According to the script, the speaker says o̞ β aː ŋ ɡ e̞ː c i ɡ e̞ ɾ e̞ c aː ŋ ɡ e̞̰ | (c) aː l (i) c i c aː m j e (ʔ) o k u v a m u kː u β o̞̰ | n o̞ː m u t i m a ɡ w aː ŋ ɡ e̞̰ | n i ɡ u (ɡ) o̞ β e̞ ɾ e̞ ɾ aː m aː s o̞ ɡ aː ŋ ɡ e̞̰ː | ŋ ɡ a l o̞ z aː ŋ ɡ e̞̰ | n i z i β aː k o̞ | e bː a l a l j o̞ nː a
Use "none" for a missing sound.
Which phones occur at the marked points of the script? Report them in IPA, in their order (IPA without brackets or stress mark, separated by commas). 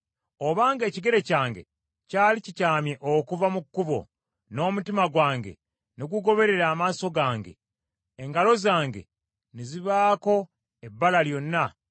c, i, ʔ, ɡ